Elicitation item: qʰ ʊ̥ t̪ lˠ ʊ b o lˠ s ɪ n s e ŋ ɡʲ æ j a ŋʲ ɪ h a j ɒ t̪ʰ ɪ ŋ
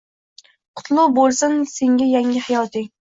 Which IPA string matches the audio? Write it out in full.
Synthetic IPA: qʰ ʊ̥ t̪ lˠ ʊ b o lˠ s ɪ n s e ŋ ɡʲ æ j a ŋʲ ɪ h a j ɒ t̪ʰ ɪ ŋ